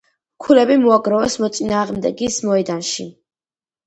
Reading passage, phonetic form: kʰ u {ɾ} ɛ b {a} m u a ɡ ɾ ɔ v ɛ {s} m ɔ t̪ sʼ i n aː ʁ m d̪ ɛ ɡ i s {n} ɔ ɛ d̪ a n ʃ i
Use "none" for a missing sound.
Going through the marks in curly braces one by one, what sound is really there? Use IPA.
l, i, s, m

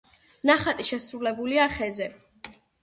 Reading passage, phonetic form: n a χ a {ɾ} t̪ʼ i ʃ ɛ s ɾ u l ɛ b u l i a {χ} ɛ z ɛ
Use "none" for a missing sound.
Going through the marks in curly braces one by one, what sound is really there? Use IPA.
none, χ

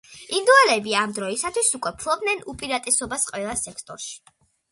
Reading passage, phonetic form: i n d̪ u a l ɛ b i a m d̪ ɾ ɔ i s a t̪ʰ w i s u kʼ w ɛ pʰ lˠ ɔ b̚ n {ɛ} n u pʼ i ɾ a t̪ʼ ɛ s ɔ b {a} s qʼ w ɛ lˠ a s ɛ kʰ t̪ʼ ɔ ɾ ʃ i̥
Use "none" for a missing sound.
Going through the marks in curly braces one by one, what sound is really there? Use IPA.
ɛ, a

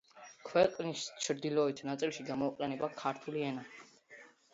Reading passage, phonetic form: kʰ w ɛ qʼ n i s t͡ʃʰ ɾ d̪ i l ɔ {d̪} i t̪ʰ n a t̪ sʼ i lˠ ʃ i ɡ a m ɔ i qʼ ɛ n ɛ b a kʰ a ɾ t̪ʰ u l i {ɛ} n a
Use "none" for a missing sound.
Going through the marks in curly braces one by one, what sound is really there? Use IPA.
none, ɛ

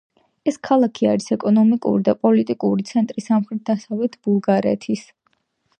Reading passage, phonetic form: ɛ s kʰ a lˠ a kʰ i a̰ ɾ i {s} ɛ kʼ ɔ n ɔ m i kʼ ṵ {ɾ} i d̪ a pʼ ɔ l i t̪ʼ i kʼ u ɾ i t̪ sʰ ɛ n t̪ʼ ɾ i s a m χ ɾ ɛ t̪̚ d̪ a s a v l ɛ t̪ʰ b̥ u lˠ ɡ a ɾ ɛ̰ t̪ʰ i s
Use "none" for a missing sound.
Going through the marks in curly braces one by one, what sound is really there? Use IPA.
s, ɾ

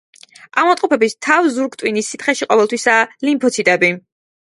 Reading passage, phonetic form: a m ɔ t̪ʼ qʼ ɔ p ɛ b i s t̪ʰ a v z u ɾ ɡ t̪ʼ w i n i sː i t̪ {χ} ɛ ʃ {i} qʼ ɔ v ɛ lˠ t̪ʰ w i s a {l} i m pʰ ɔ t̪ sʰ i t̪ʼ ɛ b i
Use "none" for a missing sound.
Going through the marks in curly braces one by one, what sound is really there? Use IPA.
χ, i, l

